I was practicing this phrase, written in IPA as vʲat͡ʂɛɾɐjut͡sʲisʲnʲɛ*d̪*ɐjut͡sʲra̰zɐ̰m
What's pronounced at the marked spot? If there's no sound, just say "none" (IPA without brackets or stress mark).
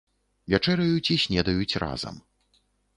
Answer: d̪